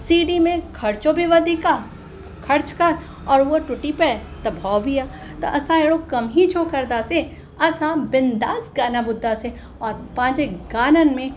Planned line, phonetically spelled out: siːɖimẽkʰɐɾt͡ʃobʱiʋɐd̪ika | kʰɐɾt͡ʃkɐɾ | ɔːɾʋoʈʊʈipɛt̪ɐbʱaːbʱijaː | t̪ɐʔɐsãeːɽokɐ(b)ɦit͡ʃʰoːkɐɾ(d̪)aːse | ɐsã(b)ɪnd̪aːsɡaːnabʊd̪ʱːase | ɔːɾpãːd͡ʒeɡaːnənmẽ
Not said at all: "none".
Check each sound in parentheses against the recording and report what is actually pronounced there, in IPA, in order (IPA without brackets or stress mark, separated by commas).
m, d̪, b